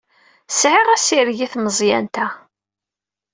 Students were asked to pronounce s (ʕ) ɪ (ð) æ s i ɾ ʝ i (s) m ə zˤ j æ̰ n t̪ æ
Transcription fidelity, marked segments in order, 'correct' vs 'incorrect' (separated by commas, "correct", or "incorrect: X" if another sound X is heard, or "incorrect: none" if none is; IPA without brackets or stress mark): correct, incorrect: ʁ, incorrect: θ